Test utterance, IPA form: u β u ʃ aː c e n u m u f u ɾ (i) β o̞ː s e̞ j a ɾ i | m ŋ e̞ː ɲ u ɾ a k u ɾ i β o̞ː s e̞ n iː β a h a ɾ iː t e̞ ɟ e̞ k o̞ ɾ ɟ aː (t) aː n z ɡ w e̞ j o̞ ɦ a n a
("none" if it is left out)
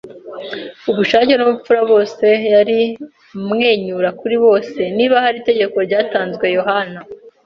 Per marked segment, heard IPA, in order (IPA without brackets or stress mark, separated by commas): a, t